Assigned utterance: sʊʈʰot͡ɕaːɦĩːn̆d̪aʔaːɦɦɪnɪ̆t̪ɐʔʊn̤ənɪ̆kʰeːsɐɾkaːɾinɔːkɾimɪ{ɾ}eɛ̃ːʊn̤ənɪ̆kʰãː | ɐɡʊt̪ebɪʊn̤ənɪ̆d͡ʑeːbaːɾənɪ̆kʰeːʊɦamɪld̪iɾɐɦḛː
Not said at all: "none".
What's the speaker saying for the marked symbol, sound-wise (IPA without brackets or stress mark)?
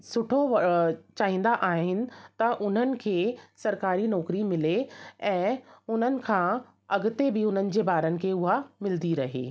l